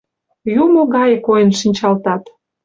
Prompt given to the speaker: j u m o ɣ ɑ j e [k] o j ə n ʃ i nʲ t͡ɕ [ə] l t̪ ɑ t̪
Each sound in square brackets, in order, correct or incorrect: correct, incorrect: ɑ

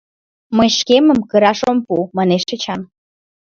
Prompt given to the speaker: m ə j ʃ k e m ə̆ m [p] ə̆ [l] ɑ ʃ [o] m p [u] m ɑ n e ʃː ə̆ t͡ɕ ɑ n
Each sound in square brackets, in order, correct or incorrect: incorrect: k, incorrect: ɾ, correct, correct

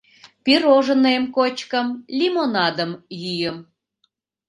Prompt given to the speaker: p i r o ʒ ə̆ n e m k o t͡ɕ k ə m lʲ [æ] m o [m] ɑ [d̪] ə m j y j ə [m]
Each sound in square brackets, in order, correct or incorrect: incorrect: i, incorrect: n, correct, correct

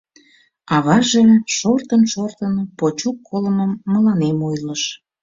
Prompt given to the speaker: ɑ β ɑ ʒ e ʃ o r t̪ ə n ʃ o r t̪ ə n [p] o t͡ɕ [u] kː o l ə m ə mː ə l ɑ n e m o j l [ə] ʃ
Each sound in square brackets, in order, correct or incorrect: correct, correct, correct

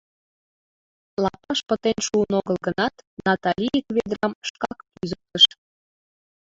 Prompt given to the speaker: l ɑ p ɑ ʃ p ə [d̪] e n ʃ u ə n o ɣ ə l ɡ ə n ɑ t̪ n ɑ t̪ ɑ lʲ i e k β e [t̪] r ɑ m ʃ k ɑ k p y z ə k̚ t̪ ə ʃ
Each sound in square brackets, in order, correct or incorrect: incorrect: t̪, incorrect: d̪

